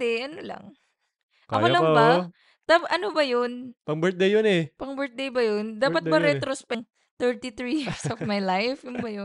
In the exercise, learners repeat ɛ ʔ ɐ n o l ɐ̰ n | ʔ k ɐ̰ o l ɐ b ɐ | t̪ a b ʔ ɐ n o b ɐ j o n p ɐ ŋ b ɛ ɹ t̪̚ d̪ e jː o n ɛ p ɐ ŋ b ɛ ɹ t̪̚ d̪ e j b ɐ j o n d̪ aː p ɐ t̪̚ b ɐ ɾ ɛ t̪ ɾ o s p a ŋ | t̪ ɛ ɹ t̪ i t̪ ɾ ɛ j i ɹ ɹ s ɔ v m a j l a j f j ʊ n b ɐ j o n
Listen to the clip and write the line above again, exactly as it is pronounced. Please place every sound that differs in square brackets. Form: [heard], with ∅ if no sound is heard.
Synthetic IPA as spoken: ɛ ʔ ɐ n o l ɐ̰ [ŋ] | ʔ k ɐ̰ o l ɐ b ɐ | t̪ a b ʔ ɐ n o b ɐ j o n p ɐ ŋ b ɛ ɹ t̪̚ d̪ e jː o n ɛ p ɐ ŋ b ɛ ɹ t̪̚ d̪ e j b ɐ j o n d̪ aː p ɐ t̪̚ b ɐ ɾ ɛ t̪ ɾ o s p [ɛ] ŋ | t̪ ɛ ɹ t̪ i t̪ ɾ [i] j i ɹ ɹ s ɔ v m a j l a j f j ʊ n b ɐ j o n